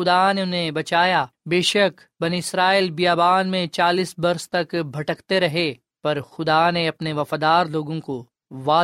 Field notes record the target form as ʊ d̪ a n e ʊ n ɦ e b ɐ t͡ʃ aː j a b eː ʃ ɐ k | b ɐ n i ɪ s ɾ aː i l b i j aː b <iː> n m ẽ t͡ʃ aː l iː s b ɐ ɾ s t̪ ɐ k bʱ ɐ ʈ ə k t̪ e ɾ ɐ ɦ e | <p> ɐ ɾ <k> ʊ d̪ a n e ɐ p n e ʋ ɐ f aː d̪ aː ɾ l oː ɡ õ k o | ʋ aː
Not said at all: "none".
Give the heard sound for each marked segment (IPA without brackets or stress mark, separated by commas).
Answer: aː, p, x